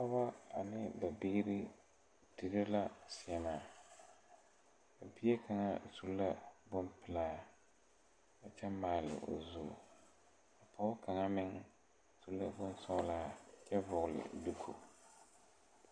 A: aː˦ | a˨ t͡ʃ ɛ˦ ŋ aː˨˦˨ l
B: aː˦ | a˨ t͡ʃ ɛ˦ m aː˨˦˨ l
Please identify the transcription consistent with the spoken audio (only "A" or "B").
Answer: B